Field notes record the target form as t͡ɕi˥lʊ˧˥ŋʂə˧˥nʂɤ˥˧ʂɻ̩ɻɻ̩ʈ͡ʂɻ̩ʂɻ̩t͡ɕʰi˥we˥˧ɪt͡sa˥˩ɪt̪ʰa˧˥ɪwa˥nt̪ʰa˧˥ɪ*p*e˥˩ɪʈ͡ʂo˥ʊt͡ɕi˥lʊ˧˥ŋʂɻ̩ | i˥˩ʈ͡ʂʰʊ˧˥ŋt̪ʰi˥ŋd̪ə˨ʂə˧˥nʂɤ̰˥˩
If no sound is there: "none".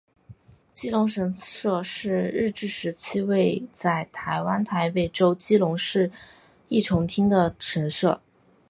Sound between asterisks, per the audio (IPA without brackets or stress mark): p